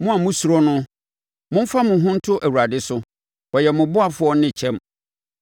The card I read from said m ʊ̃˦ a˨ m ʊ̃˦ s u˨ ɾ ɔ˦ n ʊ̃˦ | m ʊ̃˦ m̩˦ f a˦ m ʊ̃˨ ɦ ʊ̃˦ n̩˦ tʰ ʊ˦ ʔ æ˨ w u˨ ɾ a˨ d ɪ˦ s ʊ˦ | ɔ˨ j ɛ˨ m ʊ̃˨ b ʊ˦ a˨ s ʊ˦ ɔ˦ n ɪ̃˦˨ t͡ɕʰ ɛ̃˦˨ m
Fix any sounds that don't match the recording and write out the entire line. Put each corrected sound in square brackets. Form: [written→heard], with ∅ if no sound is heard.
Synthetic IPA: m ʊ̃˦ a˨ m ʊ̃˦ s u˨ ɾ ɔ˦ n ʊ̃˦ | m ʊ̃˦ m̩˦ f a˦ m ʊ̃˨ ɦ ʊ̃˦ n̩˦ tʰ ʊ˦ ʔ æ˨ w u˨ ɾ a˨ d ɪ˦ s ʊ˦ | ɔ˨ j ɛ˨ m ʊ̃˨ b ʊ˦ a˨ [s→f] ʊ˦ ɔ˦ n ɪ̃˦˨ t͡ɕʰ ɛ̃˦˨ m

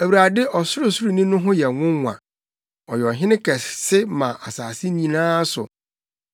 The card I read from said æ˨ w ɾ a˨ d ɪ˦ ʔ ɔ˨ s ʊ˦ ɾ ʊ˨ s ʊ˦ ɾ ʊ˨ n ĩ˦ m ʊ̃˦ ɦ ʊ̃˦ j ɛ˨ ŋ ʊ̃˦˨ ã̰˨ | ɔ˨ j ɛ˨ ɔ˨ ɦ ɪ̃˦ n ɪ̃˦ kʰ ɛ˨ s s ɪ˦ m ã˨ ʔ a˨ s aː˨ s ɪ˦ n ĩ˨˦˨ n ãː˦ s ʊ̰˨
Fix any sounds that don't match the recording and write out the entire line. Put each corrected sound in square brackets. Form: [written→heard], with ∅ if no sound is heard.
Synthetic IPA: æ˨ w ɾ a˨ d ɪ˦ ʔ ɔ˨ s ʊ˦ ɾ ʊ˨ s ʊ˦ ɾ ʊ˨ n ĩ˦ [m→n] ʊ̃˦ ɦ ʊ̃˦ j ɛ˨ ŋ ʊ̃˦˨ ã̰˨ | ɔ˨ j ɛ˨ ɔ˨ ɦ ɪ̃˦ n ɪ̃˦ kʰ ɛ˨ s s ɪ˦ m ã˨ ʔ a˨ s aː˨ s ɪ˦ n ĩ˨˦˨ n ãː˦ s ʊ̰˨

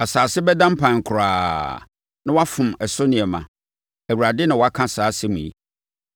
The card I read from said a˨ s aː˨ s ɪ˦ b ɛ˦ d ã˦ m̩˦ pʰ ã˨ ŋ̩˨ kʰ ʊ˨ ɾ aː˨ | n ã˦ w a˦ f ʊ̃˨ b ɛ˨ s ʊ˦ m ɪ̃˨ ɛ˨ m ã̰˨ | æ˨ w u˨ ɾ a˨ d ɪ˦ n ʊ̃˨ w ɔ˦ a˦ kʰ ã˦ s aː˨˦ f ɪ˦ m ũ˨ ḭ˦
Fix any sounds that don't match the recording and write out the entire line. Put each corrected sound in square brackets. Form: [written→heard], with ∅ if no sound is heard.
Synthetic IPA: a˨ s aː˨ s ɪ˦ b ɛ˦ d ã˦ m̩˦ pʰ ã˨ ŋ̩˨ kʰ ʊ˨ ɾ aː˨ | n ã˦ w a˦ f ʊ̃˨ [b→m] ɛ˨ s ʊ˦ [m→n] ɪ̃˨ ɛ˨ m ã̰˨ | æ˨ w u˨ ɾ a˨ d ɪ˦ n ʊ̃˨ w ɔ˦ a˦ kʰ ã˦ s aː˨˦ [f→s] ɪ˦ m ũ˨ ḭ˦

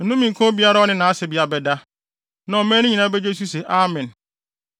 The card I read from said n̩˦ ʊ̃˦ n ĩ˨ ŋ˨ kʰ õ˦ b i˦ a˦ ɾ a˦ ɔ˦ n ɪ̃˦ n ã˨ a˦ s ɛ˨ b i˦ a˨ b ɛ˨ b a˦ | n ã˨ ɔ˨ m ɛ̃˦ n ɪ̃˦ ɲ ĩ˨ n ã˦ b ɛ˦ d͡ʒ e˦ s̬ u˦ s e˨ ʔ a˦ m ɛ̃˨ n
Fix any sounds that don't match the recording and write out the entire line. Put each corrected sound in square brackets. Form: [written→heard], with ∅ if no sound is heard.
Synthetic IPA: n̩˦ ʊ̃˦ [n→m] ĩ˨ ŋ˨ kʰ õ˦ b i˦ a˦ ɾ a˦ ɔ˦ n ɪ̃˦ n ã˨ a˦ s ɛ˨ b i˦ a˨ b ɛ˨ [b→d] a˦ | n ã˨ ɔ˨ m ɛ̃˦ n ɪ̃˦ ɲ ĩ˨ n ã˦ b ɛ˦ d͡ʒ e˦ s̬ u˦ s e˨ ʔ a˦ m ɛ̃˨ n

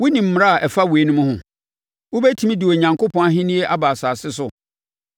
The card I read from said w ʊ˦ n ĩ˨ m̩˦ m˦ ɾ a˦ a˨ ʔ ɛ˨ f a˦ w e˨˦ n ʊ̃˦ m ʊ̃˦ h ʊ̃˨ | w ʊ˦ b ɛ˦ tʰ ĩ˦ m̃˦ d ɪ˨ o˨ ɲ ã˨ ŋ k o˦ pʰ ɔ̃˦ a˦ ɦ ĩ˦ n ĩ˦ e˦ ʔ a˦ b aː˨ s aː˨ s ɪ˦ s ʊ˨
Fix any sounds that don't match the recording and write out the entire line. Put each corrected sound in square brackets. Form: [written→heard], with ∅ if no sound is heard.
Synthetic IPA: w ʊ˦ n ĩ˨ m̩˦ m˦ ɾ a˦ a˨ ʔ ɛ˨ f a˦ w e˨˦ n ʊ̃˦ m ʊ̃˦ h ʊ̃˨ | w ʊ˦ b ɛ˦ tʰ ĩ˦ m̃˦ d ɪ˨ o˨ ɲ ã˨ ŋ k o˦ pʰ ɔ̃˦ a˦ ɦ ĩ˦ n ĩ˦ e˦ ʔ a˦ b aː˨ s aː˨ s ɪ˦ s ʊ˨

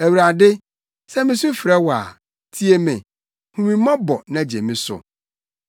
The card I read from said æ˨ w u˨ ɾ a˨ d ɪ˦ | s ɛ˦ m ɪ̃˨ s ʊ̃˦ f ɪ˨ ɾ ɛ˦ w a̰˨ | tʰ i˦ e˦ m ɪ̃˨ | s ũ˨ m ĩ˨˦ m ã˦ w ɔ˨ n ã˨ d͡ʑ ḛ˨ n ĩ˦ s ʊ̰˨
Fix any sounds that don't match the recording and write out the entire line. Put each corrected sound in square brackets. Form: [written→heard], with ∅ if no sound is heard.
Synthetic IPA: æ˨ w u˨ ɾ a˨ d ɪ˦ | s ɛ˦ m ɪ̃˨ s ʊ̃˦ f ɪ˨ ɾ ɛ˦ w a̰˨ | tʰ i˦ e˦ m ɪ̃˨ | [s→h] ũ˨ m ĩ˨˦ m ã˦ [w→b] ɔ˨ n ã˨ d͡ʑ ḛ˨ [n→m] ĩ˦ s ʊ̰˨

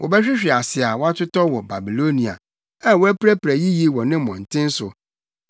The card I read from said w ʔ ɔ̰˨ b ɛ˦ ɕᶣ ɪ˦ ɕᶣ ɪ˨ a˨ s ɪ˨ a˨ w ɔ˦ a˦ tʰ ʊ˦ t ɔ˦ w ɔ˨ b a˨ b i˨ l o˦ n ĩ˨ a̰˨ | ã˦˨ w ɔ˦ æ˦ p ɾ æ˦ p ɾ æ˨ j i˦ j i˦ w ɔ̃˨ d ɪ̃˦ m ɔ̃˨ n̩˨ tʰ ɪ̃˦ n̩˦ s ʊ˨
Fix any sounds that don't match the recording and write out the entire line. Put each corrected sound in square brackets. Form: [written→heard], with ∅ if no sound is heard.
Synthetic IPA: w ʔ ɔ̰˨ b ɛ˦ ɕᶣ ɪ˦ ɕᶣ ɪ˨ a˨ s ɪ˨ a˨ w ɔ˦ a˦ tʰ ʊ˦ t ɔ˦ w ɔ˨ b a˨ b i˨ l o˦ n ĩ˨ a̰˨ | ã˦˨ w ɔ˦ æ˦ p ɾ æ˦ p ɾ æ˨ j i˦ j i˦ w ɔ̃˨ [d→n] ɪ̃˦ m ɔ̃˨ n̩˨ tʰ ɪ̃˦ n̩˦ s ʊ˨

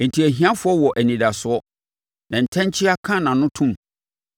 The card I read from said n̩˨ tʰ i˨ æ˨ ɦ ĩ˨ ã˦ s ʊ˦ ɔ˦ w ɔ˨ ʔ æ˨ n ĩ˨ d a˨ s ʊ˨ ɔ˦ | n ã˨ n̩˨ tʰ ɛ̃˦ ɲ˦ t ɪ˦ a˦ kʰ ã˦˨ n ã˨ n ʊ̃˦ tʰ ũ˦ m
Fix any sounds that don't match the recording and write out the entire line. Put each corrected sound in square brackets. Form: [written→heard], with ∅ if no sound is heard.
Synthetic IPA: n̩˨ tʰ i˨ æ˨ ɦ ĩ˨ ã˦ [s→f] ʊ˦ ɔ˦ w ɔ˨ ʔ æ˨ n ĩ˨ d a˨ s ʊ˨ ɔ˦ | n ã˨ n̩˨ tʰ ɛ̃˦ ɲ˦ [t→t͡ɕʰ] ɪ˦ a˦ kʰ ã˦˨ n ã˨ n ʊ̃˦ tʰ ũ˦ m

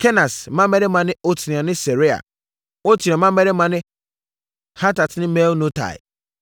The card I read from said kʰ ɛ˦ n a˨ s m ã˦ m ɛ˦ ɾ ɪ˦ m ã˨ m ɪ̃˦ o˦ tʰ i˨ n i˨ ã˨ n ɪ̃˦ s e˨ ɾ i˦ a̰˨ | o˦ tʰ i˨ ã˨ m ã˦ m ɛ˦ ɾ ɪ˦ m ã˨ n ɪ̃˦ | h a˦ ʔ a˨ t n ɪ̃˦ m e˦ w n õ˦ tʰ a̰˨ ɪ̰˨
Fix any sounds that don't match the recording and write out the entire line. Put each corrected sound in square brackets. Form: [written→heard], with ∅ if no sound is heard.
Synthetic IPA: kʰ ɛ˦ n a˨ s m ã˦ m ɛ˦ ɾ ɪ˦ m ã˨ [m→n] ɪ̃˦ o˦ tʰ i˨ n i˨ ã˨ n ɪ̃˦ s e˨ ɾ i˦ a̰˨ | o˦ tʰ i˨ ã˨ m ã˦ m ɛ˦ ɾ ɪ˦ m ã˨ n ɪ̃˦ | h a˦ [ʔ→t] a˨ t n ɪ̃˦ m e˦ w n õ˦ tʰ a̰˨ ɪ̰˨

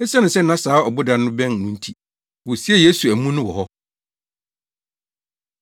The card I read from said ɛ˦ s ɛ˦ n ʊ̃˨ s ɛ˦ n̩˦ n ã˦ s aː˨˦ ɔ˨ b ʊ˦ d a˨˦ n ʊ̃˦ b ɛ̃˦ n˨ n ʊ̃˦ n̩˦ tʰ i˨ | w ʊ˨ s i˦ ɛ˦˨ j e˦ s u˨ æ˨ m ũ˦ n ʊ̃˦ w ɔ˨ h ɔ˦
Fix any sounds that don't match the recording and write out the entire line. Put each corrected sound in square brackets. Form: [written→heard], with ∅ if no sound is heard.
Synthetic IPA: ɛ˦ s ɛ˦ n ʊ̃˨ s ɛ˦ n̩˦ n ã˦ s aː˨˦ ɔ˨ b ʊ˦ d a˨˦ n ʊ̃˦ b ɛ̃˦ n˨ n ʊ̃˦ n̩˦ tʰ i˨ | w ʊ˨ s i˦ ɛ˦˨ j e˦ s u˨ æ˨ m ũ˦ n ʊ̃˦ w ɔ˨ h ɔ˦

